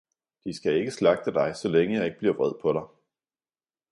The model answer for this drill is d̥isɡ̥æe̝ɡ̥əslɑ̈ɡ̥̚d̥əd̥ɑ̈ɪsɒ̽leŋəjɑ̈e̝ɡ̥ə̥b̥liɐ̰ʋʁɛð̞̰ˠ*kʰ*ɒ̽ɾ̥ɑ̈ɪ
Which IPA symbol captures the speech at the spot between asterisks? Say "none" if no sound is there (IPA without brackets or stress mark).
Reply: pʰ